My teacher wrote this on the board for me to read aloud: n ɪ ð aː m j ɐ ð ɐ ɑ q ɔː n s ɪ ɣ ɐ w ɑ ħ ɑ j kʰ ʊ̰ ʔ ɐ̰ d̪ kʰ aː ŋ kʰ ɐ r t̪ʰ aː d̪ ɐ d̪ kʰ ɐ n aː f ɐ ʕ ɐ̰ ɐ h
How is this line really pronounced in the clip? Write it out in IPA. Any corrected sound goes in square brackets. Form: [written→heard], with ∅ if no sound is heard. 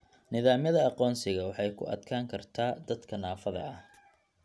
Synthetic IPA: n ɪ ð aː m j ɐ ð ɐ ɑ q ɔː n s ɪ ɣ ɐ w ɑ ħ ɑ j kʰ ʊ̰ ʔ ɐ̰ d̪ kʰ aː ŋ kʰ ɐ r t̪ʰ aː d̪ ɐ d̪ kʰ ɐ n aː f ɐ [ʕ→ð] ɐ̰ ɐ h